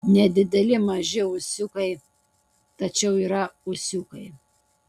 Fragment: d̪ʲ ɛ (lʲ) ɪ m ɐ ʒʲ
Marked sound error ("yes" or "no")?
no